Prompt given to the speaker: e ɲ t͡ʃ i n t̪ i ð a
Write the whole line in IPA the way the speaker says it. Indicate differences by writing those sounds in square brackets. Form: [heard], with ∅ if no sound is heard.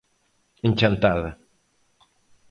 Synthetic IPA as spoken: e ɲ t͡ʃ [a] n t̪ [a] ð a